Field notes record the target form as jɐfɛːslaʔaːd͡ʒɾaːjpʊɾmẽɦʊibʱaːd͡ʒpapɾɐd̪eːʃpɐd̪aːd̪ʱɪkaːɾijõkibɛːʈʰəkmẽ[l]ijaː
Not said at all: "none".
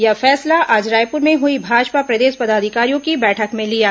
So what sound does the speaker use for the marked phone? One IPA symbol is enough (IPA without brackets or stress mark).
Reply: l